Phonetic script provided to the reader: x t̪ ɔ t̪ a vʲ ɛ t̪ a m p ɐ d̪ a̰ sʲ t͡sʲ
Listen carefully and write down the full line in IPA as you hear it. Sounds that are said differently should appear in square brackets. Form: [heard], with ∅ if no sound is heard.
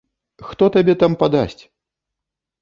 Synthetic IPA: x t̪ ɔ t̪ a [bʲ] ɛ t̪ a m p [a] d̪ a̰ sʲ t͡sʲ